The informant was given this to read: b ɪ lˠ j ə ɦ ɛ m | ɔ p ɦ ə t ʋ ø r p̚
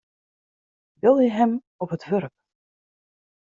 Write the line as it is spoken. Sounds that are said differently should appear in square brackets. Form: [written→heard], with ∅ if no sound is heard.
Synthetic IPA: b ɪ lˠ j ə ɦ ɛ m | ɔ p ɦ ə t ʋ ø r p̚